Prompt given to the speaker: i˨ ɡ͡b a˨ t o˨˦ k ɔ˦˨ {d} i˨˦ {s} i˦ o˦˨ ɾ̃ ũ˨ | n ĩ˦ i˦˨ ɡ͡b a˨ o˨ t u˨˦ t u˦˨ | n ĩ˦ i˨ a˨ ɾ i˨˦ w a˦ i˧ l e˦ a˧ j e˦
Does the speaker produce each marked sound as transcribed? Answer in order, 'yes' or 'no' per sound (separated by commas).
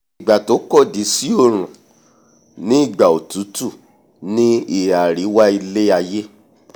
yes, yes